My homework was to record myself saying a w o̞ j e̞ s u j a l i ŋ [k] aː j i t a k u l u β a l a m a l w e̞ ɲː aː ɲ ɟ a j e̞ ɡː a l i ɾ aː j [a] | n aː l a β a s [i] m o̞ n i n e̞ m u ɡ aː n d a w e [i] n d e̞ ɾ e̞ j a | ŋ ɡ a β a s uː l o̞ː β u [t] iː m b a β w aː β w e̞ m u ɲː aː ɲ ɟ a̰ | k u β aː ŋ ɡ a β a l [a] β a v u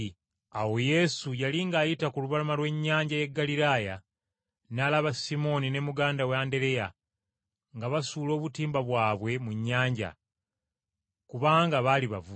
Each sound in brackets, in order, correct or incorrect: incorrect: ɡ, correct, correct, incorrect: a, correct, incorrect: i

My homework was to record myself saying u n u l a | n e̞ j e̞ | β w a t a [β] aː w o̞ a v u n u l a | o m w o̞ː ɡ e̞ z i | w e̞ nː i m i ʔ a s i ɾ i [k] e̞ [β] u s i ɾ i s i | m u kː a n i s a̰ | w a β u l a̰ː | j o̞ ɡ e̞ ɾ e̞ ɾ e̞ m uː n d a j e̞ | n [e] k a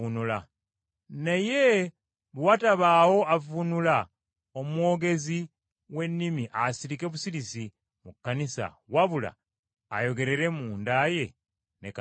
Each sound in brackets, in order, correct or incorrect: correct, correct, correct, correct

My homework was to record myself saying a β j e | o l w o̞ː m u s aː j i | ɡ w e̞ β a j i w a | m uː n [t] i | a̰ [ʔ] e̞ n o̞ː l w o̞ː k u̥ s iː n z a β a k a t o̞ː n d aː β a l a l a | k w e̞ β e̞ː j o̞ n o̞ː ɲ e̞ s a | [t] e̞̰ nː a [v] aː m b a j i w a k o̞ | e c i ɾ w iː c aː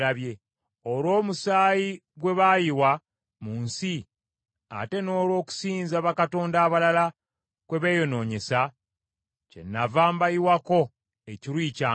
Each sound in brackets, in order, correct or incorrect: incorrect: s, incorrect: t, incorrect: c, correct

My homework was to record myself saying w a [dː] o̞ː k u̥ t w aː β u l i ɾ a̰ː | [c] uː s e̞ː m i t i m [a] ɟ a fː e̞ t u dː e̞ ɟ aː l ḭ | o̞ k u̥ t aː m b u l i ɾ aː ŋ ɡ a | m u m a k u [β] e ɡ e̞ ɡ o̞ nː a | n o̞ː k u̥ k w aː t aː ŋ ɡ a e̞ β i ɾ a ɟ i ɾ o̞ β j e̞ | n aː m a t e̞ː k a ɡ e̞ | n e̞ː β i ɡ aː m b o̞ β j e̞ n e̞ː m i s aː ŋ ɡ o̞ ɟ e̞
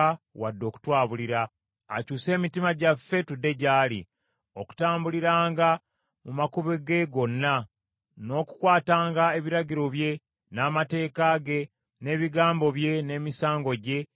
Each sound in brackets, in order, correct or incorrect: correct, correct, correct, correct

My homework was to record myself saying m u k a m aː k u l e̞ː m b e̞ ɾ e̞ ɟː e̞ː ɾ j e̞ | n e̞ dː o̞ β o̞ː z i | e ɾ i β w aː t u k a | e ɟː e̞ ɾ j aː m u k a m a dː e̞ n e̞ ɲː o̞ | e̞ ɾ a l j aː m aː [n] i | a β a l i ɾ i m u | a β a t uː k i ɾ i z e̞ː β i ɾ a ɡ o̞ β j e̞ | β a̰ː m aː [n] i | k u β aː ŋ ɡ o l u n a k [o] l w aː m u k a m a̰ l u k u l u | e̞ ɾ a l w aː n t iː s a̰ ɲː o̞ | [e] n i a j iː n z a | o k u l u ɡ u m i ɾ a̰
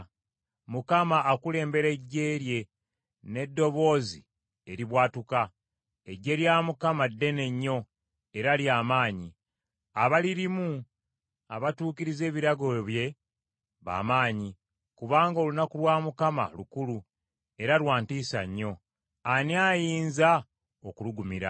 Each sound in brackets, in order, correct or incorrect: incorrect: ɲ, incorrect: ɲ, incorrect: u, incorrect: a

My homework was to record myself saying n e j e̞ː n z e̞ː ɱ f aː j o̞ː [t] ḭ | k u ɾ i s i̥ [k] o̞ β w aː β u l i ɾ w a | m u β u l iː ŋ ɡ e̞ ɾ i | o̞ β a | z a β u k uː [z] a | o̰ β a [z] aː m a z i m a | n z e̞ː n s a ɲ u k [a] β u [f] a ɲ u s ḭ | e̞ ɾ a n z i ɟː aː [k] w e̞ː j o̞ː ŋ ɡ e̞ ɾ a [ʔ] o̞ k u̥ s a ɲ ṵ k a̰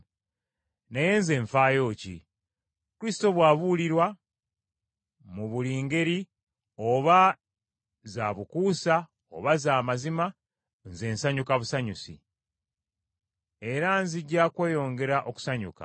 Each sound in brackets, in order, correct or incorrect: incorrect: c, incorrect: t, incorrect: s, correct, correct, incorrect: s, correct, correct

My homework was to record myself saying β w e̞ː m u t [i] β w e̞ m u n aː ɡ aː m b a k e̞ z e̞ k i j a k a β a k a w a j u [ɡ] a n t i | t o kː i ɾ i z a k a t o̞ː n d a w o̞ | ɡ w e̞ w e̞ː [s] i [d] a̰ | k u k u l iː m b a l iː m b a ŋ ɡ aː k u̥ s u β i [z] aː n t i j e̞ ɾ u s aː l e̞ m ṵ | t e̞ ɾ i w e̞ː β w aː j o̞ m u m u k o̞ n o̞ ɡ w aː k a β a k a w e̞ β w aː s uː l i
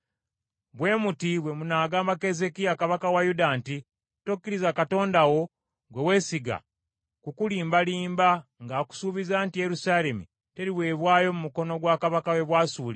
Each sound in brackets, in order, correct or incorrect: correct, incorrect: d, correct, incorrect: ɡ, correct

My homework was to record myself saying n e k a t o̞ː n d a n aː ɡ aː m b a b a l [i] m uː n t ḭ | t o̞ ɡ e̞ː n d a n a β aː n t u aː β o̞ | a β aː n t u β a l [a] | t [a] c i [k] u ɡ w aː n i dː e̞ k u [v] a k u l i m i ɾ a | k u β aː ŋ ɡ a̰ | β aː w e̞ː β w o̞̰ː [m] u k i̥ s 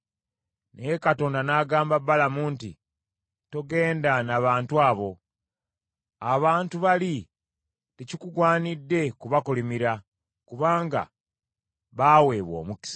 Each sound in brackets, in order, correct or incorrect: incorrect: a, incorrect: i, incorrect: e, correct, incorrect: β, correct

